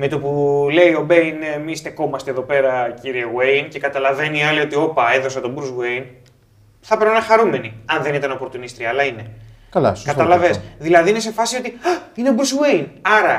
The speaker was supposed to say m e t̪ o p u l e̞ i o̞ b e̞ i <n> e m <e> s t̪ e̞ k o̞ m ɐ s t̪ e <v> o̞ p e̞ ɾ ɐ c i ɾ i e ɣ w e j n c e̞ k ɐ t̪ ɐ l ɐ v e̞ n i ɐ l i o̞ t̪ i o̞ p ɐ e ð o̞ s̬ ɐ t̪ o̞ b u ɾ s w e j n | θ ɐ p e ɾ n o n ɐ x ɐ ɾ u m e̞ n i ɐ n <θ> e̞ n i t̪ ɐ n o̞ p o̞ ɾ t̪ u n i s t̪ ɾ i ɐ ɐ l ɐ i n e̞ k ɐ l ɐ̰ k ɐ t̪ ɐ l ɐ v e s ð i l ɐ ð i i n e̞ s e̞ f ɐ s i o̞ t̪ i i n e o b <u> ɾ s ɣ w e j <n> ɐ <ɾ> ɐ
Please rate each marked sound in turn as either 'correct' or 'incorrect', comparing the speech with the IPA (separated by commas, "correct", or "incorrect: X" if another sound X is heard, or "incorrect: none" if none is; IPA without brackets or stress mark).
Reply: correct, incorrect: i, incorrect: ð, incorrect: ð, correct, correct, correct